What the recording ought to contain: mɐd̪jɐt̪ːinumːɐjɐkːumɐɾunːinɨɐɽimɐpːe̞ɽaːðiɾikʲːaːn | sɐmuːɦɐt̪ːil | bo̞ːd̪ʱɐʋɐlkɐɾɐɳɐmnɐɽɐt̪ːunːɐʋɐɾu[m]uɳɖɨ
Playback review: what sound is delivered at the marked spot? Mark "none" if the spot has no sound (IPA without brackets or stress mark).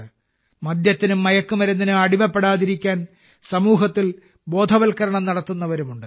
m